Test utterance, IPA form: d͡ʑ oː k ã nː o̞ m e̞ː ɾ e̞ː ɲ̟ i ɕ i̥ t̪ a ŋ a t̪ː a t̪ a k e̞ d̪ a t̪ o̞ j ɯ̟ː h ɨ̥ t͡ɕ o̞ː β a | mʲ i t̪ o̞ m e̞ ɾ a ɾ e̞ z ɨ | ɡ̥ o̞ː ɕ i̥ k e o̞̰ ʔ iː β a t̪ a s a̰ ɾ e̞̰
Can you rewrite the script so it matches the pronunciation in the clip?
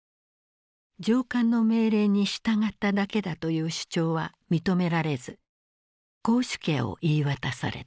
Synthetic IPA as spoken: d͡ʑ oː k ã nː o̞ m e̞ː ɾ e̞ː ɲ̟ i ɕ i̥ t̪ a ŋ a t̪ː a d̪ a k e̞ d̪ a t̪ o̞ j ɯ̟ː ɕ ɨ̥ t͡ɕ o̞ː β a | mʲ i t̪ o̞ m e̞ ɾ a ɾ e̞ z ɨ | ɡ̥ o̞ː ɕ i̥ k e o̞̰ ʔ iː β a t̪ a s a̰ ɾ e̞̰